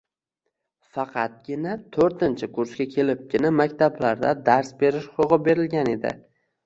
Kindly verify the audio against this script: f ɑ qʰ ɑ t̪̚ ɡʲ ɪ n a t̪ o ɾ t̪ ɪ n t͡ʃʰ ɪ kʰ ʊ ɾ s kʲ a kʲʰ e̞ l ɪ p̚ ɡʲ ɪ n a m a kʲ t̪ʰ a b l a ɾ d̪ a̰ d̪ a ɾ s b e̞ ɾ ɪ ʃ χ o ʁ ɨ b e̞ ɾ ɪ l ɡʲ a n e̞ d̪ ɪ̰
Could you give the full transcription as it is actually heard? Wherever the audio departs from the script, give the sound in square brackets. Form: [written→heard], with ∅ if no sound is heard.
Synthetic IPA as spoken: f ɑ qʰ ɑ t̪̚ ɡʲ ɪ n a [t̪→t̪ʰ] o ɾ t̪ ɪ n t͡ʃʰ ɪ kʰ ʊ ɾ s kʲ a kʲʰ e̞ l ɪ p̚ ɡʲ ɪ n a m a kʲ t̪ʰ a b l a ɾ d̪ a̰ d̪ a ɾ s b e̞ ɾ ɪ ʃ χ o ʁ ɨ b e̞ ɾ ɪ l ɡʲ a n e̞ d̪ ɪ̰